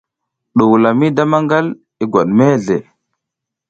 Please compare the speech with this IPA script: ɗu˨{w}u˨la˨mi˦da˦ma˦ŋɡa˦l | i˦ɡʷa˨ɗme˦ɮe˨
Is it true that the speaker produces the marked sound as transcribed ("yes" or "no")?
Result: yes